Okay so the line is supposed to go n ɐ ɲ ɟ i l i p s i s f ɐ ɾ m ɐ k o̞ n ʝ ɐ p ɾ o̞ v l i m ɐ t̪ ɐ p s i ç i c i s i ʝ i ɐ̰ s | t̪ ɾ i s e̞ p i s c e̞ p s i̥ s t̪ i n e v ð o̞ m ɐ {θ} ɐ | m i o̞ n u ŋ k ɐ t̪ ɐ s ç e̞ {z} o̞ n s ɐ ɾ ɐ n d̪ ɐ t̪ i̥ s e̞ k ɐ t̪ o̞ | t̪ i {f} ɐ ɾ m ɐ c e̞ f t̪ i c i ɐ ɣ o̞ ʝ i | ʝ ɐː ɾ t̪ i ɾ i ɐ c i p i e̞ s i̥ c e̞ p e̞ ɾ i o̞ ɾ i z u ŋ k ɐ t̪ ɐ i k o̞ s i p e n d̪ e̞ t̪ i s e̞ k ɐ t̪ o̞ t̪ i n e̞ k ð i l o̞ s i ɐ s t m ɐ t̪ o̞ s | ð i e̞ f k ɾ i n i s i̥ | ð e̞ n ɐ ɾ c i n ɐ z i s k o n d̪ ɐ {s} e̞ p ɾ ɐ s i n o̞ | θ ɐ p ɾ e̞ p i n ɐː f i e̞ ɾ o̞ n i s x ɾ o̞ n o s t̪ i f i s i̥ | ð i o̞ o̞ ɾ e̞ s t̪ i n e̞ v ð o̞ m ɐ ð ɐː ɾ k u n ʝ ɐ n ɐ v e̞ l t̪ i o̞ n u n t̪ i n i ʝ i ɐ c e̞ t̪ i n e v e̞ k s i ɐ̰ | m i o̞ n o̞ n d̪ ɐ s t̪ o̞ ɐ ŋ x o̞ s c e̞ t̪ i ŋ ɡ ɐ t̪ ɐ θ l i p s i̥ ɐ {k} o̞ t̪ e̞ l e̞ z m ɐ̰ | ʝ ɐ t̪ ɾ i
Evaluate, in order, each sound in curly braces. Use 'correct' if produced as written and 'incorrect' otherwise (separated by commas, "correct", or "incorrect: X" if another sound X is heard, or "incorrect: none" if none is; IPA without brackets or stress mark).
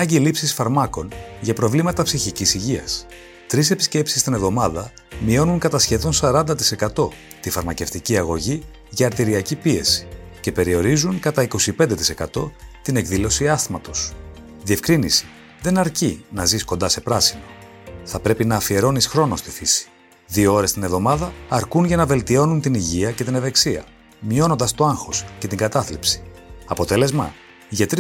incorrect: ð, incorrect: ð, correct, correct, incorrect: p